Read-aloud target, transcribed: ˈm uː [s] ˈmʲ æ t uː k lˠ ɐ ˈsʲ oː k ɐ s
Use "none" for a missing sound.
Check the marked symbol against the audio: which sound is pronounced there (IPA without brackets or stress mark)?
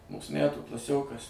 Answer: s